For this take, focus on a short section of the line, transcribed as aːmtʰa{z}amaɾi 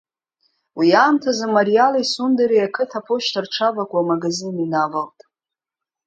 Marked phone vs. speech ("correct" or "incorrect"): correct